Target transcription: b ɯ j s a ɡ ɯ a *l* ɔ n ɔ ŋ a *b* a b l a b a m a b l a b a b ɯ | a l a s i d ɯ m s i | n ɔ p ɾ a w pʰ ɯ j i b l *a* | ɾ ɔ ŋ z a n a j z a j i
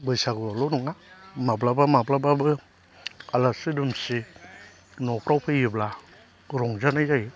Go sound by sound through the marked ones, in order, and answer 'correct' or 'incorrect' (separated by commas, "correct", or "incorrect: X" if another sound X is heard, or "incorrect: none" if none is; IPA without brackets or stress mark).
correct, incorrect: m, correct